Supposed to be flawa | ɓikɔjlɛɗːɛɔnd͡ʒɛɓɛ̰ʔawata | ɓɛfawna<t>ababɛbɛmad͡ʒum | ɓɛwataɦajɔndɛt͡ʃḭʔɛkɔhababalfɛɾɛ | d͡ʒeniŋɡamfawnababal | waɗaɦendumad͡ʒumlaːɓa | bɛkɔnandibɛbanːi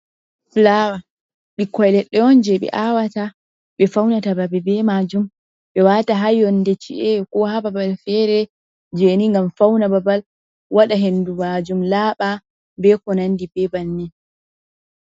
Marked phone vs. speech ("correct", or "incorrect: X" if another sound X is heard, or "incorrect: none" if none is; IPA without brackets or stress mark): correct